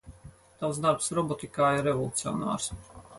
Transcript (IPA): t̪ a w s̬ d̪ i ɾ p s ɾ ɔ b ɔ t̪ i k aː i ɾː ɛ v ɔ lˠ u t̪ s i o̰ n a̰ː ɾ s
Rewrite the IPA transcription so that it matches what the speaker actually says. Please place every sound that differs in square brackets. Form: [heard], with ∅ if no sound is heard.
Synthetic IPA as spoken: t̪ a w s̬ d̪ [a] ɾ p s ɾ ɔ b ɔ t̪ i k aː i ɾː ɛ v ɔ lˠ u t̪ s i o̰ n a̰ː ɾ s